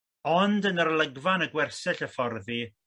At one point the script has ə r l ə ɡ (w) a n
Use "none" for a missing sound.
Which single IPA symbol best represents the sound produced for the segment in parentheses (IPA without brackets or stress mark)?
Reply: v